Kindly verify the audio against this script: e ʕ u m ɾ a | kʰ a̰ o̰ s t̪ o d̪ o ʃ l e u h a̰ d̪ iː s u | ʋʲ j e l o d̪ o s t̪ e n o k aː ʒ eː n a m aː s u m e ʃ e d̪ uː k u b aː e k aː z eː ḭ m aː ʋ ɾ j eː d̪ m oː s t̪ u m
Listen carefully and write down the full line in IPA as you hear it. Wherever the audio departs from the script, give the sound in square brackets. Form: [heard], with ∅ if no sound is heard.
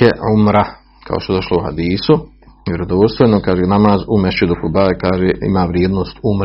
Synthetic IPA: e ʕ u m ɾ a | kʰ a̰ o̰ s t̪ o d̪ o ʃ l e u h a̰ d̪ iː s u | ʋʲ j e [ɾ] o d̪ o s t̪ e n o k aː ʒ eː n a m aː [z] u m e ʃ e d̪ [u] k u b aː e k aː [ʒ] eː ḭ m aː ʋ ɾ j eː d̪ [n] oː s t̪ u m